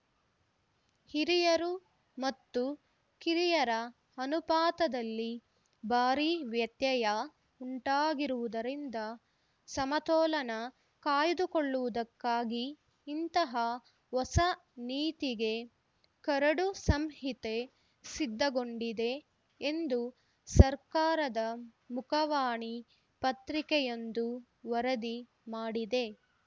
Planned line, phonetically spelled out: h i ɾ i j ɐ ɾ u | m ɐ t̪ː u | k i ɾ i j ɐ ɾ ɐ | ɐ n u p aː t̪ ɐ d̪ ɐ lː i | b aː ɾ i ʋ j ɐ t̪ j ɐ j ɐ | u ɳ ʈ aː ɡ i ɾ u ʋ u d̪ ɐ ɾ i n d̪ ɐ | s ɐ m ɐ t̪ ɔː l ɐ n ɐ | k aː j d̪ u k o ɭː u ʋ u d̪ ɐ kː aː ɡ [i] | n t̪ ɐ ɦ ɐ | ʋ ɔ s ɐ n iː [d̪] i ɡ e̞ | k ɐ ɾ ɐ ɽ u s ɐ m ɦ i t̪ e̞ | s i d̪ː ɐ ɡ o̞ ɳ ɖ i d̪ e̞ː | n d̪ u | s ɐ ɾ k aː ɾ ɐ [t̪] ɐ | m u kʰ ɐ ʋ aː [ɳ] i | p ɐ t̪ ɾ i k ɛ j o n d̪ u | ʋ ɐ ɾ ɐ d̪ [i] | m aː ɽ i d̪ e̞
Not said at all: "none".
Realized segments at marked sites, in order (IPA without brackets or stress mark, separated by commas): iː, t̪, d̪, ɳ, i